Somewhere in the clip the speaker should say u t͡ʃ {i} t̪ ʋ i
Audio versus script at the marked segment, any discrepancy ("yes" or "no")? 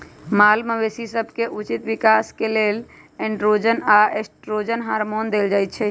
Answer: no